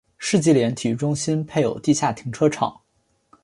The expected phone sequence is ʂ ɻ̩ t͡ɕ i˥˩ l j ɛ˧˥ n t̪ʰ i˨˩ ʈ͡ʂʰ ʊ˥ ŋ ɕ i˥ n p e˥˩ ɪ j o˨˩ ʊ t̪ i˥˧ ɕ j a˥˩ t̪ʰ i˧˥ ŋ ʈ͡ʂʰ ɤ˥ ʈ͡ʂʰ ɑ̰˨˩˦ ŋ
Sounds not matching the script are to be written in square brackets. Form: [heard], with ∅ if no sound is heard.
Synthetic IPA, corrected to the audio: ʂ ɻ̩ t͡ɕ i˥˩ l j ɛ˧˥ n t̪ʰ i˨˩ [ʈ͡ʂ] ʊ˥ ŋ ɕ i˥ n [pʰ] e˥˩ ɪ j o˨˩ ʊ t̪ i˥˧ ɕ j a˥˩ t̪ʰ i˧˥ ŋ ʈ͡ʂʰ ɤ˥ ʈ͡ʂʰ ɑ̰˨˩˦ ŋ